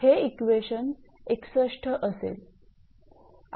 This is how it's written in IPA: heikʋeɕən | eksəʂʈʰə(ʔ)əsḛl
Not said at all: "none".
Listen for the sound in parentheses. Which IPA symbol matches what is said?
ʔ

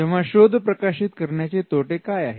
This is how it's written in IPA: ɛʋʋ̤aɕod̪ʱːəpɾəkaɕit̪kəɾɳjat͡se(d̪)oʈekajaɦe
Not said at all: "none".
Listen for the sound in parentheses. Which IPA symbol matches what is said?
t̪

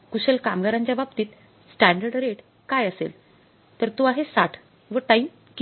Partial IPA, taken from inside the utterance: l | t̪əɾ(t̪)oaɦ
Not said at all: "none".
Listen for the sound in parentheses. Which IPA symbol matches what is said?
t̪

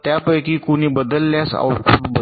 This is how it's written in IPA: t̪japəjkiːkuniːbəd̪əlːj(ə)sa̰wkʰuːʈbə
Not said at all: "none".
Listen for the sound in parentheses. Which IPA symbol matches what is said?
a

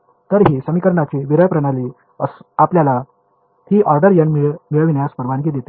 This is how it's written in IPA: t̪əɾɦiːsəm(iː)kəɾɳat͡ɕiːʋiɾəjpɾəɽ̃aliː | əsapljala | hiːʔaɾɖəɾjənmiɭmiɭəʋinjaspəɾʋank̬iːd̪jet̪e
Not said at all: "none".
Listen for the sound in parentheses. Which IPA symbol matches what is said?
i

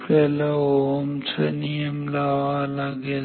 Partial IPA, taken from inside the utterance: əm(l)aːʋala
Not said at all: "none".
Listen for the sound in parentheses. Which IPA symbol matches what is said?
l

